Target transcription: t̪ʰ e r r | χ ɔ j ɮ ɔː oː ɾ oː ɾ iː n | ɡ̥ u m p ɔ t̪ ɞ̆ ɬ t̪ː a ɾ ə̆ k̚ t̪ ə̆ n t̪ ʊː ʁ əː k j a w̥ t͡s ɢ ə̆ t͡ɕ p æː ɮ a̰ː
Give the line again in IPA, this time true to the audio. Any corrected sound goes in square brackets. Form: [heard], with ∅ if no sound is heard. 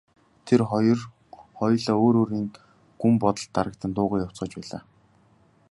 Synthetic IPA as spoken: t̪ʰ e r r | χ ɔ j ɮ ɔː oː ɾ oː ɾ iː n | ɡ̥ u m p ɔ t̪ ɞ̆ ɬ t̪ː a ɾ ə̆ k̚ t̪ ə̆ n t̪ ʊː ʁ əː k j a w̥ t͡s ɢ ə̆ t͡ɕ p æː ɮ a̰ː